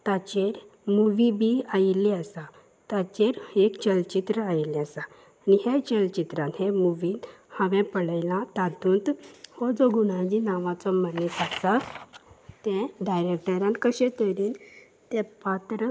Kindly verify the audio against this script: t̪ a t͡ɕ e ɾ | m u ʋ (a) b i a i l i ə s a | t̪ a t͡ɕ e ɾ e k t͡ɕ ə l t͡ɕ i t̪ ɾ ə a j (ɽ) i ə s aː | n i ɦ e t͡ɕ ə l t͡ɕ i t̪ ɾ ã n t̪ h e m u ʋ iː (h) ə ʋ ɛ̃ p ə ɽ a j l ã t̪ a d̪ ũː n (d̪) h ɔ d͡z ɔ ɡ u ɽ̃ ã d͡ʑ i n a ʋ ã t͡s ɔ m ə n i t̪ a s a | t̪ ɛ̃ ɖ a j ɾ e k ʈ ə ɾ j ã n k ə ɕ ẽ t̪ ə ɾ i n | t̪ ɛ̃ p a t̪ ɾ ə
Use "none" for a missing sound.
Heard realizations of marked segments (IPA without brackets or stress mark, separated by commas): i, l, h, t̪